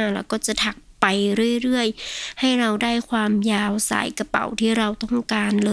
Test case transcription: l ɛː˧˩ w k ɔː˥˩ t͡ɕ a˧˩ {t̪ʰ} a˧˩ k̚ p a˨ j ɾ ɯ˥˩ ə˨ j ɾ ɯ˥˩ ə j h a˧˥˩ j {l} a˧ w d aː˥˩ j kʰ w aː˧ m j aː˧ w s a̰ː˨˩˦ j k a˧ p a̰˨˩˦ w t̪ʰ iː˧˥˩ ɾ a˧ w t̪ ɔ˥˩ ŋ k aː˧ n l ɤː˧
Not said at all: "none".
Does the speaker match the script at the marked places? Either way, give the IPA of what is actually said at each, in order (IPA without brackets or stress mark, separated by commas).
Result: t̪ʰ, ɾ